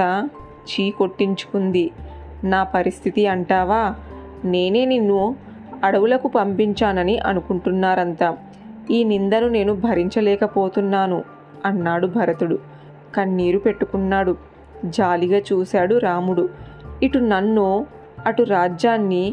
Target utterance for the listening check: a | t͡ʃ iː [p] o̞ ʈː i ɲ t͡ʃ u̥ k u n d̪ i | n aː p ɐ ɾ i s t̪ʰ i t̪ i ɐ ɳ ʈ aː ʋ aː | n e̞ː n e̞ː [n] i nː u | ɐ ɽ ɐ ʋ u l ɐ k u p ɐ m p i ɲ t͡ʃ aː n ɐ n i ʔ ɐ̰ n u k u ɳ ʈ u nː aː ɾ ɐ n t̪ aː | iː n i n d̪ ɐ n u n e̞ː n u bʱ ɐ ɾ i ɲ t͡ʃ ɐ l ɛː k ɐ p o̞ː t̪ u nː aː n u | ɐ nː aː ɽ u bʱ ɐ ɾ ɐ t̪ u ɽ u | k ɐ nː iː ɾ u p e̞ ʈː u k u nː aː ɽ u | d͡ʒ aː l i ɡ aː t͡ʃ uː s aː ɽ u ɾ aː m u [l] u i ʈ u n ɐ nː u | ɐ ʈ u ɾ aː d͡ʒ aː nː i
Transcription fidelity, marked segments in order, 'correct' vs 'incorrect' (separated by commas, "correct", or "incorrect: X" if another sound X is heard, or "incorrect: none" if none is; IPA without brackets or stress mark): incorrect: k, correct, incorrect: ɽ